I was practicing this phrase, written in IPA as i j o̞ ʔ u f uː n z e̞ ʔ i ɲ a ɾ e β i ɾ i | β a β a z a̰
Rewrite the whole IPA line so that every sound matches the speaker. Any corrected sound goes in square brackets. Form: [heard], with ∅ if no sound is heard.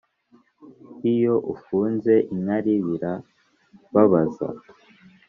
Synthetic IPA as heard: i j o̞ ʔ u f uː n z e̞ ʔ i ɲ a ɾ [i] β i ɾ [a] | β a β a z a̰

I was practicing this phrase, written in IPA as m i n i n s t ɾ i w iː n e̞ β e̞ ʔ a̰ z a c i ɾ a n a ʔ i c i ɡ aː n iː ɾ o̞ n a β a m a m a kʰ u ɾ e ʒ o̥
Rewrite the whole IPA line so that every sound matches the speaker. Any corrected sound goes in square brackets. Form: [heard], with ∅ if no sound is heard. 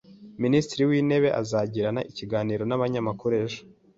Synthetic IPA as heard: m i n i [∅] s t ɾ i w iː n e̞ β e̞ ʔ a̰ z a [ɟ] i ɾ a n a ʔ i c i ɡ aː n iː ɾ o̞ n a β a [ɲ] a m a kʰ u ɾ e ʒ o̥

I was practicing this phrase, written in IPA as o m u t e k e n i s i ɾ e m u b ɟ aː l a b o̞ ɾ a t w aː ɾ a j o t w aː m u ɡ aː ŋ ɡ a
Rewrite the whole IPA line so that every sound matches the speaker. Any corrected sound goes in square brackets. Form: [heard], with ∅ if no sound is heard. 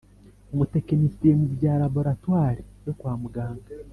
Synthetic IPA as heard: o m u t e k e n i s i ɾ e m u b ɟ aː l a b o̞ ɾ a t w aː ɾ [i] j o [k] w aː m u ɡ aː ŋ ɡ a

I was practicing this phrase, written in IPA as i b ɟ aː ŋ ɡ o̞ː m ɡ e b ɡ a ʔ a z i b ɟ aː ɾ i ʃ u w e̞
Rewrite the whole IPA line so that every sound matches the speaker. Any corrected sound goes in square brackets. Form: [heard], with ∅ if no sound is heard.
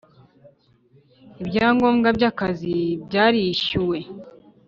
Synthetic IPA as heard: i b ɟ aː ŋ ɡ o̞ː m ɡ [a] b [ɟ] a [k] a z i b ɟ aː ɾ i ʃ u w e̞

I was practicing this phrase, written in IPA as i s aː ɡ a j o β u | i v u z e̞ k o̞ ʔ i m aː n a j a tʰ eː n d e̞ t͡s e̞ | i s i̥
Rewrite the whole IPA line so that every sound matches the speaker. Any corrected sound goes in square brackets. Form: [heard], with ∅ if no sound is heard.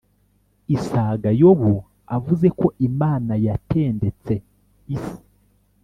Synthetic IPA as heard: i s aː ɡ a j o β u | [a] v u z e̞ k o̞ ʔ i m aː n a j a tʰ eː n d e̞ t͡s e̞ | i s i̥

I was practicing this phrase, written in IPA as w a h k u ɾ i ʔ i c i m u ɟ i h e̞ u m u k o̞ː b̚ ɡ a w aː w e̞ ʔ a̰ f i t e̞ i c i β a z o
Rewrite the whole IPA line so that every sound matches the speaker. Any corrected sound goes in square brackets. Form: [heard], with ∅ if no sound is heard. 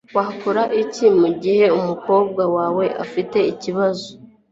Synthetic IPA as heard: w a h k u ɾ [a] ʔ i c i m u ɟ i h e̞ u m u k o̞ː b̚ ɡ a w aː w e̞ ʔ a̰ f i t e̞ i c i β a z o

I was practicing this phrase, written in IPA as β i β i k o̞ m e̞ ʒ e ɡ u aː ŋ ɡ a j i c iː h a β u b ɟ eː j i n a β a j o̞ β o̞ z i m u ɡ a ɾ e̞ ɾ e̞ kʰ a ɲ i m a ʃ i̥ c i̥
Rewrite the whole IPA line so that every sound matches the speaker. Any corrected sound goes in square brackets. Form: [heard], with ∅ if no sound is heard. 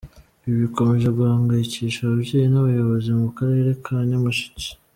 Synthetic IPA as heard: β i β i k o̞ m e̞ ʒ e ɡ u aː ŋ ɡ a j i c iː [ʃ] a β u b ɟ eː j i n a β a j o̞ β o̞ z i m u [k] a ɾ e̞ ɾ e̞ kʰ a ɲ [a] m a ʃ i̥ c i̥

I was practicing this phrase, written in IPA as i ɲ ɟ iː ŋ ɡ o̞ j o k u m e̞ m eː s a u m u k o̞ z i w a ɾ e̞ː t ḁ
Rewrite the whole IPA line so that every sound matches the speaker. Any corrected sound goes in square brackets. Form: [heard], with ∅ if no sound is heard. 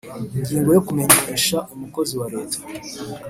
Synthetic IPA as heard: i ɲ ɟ iː ŋ ɡ o̞ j o k u m e̞ [ɲ] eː [ʃ] a u m u k o̞ z i w a ɾ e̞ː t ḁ

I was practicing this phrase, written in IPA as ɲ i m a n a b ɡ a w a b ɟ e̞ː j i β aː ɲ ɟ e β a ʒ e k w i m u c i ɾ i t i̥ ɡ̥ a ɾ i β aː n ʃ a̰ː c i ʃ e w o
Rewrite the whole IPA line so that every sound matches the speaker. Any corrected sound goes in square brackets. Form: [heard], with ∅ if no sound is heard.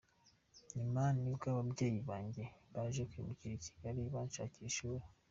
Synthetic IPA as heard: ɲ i m a n [i] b ɡ a [β] a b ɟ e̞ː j i β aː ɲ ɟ e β a ʒ e k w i m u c i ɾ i [c] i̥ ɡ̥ a ɾ i β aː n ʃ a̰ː c i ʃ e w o

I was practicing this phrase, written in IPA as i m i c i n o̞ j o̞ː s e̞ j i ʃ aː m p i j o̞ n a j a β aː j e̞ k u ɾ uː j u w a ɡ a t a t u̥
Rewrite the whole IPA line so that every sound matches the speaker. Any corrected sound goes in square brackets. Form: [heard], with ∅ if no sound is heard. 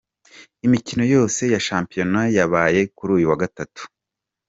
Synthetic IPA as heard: i m i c i n o̞ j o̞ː s e̞ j [a] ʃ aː m p i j o̞ n a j a β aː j e̞ k u ɾ uː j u w a ɡ a t a t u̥

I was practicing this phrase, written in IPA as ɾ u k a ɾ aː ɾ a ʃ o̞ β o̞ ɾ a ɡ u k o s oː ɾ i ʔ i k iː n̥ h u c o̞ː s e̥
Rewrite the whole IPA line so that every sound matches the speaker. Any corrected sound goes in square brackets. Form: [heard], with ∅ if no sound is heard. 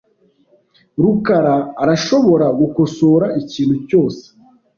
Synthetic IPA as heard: ɾ u k a ɾ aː ɾ a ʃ o̞ β o̞ ɾ a ɡ u k o s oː ɾ [a] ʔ i [c] iː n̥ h u c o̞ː s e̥

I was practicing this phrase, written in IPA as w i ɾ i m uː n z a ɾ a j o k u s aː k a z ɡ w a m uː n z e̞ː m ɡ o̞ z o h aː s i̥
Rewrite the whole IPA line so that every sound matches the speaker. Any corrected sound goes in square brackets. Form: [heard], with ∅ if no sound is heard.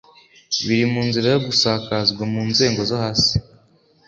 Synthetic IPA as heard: [β] i ɾ i m uː n z [i] ɾ a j o [ɡ] u s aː k a z ɡ w a m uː n z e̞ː [ŋ] ɡ o̞ z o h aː s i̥

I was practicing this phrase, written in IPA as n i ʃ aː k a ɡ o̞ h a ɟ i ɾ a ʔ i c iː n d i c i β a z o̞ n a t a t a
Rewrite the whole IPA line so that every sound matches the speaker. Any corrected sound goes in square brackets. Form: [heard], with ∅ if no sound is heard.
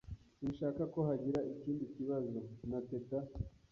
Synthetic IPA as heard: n i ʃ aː k a [k] o̞ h a ɟ i ɾ a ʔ i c iː n d i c i β a z o̞ n a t [e] t a

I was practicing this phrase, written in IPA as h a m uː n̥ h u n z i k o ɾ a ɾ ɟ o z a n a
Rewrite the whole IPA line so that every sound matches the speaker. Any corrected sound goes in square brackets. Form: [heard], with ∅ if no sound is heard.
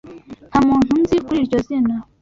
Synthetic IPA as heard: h a m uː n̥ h u n z i k [u] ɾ [i] ɾ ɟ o z [i] n a

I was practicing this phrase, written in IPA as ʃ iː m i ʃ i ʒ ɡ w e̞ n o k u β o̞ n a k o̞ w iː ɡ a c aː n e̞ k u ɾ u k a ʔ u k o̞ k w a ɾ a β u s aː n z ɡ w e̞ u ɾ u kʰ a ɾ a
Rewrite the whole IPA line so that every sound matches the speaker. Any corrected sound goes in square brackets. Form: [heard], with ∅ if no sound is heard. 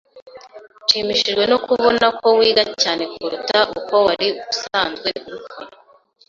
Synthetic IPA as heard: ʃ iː m i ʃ i ʒ ɡ w e̞ n o k u β o̞ n a k o̞ w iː ɡ a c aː n e̞ k u ɾ u [t] a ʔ u k o̞ [∅] w a ɾ [i] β u s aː n z ɡ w e̞ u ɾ u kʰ a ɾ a

